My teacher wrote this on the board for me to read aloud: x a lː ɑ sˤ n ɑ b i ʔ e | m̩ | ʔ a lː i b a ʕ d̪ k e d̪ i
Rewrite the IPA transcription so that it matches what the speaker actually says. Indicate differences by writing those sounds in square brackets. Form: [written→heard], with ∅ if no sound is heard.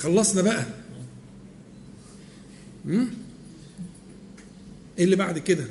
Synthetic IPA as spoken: x [a→ɑ] lː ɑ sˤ n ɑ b [i→æ] ʔ [e→æ] | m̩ | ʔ [a→e] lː i b a ʕ d̪ k e d̪ [i→æ]